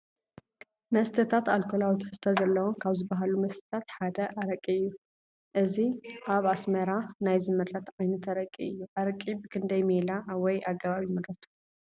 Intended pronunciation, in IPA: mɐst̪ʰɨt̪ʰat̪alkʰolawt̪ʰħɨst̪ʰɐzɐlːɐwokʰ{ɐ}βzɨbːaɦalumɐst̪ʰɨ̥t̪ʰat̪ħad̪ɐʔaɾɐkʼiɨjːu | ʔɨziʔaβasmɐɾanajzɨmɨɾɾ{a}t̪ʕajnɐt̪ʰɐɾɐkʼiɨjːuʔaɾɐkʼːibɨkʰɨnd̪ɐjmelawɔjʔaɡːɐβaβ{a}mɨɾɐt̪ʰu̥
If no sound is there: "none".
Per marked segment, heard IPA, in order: a, ɐ, i

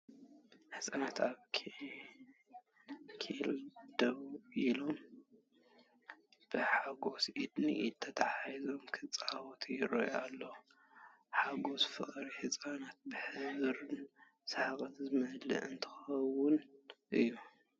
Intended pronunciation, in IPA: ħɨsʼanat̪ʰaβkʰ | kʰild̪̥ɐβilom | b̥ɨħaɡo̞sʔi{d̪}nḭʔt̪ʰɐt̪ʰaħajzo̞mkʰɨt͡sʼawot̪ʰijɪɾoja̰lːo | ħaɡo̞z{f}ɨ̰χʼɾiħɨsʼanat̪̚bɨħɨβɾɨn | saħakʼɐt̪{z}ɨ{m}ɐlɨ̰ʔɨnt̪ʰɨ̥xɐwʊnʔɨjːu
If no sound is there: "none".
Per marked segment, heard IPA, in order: d̪, f, z, m

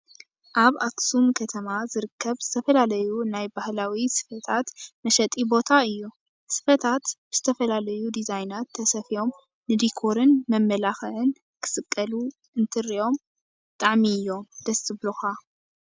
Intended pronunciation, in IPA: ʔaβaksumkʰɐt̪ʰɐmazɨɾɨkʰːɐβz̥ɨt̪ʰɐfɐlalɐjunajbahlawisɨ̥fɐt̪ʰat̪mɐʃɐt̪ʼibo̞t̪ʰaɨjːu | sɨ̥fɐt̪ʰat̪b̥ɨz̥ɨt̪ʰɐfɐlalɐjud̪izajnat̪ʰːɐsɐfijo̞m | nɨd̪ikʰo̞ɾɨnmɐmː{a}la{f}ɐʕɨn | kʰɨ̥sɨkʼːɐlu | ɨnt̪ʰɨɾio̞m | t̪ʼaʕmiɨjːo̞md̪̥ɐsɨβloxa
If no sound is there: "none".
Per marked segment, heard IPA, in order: ɐ, x

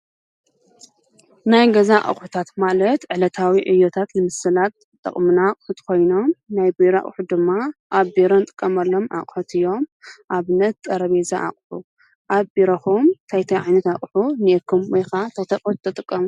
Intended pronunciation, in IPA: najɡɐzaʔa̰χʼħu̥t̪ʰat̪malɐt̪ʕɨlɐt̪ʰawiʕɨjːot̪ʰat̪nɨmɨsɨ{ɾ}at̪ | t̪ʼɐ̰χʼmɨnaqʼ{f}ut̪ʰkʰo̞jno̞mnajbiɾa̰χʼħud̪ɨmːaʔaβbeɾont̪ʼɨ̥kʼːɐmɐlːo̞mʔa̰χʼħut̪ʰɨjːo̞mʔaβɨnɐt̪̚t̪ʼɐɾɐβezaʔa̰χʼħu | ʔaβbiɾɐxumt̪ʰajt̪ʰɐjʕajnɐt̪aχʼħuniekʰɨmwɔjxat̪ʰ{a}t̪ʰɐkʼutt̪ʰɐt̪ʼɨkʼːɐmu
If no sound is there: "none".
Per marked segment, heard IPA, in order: l, ħ, ɐ

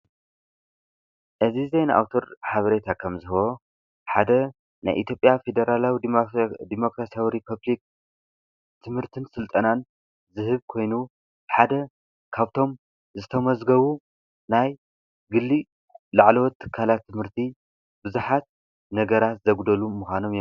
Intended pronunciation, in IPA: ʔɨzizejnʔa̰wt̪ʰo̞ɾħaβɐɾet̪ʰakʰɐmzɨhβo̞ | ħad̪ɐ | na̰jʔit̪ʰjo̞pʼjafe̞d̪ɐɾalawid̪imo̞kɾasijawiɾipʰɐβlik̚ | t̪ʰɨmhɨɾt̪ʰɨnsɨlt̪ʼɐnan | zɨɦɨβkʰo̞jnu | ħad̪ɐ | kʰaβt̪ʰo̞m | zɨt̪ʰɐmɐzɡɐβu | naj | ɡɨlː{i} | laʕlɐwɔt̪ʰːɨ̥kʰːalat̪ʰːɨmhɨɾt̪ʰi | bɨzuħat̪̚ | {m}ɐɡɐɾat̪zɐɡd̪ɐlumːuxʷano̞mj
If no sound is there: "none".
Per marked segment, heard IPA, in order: i, n

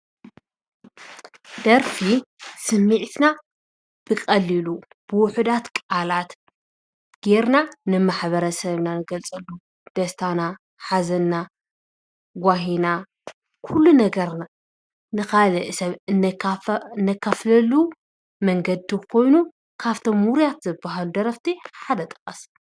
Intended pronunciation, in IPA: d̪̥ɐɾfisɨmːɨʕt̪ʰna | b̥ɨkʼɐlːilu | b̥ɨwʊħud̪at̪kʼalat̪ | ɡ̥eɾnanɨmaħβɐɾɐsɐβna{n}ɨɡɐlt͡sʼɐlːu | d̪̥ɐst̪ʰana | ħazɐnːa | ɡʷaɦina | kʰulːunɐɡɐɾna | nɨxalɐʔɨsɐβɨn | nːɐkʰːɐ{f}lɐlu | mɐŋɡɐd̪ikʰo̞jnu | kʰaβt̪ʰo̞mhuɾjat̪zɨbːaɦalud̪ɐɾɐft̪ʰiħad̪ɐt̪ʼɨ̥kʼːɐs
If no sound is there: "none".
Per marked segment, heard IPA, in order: n, f

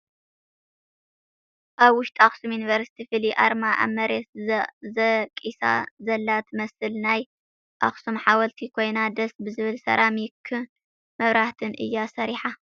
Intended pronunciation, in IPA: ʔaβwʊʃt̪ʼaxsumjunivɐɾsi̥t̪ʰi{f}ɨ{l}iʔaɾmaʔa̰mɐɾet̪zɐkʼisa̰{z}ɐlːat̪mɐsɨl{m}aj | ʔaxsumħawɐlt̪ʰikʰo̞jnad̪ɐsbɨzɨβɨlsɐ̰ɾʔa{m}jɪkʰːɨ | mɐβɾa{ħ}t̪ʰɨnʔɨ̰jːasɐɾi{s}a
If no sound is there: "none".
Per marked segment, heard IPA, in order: f, l, z, n, m, h, ħ

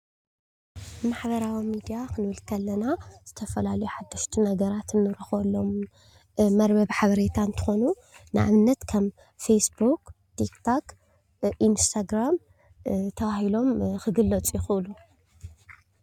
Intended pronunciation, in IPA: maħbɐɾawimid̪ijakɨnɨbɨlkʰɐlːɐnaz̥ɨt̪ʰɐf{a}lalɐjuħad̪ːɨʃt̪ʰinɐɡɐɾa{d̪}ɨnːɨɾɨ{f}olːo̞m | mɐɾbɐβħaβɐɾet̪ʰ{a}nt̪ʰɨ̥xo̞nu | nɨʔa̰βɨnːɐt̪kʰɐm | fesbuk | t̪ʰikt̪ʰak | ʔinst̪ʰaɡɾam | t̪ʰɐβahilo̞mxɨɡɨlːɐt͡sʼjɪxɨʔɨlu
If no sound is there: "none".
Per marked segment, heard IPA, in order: ɐ, t̪, x, a

